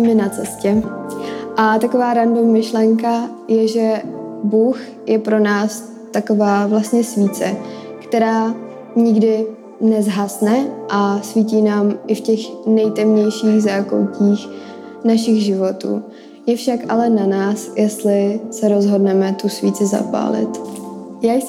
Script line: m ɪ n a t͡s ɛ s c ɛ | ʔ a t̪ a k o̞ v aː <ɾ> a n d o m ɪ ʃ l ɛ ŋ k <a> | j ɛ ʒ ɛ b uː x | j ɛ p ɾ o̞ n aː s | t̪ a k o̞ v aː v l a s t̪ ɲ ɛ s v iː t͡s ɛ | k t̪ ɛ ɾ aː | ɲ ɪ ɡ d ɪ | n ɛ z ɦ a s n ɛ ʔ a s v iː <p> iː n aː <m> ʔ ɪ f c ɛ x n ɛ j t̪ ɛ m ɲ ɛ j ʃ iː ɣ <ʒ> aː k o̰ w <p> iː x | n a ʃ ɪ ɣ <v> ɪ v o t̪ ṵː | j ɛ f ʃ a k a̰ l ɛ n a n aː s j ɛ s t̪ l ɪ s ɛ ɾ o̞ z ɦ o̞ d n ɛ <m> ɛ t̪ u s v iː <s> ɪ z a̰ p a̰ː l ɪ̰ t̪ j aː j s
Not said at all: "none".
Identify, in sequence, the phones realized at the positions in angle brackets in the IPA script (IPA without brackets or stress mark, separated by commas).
ɾ, a, c, m, z, c, ʒ, m, t͡s